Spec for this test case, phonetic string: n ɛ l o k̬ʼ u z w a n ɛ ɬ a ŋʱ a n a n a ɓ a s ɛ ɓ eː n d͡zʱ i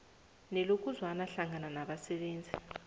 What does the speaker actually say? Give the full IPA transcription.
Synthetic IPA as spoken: n ɛ l o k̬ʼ u z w a n a ɬ a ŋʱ a n a n a ɓ a s ɛ ɓ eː n d͡zʱ i